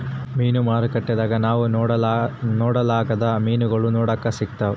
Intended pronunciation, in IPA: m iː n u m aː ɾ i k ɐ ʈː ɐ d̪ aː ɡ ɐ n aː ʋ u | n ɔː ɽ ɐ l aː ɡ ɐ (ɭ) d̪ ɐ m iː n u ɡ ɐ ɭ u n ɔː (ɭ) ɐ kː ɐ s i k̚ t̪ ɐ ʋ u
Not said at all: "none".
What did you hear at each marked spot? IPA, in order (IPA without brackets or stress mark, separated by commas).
none, ɽ